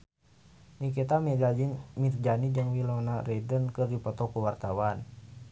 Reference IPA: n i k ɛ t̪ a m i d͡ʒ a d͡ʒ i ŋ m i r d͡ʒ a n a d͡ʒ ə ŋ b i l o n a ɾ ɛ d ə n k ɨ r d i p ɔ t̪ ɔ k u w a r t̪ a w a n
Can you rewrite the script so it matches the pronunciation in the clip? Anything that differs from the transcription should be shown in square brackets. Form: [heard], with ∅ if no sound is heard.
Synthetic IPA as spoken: n i k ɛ t̪ a m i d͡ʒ a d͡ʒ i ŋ m i r d͡ʒ a n [i] d͡ʒ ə ŋ [w] i l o n a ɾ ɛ d ə n k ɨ r d i p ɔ t̪ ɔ k u w a r t̪ a w a n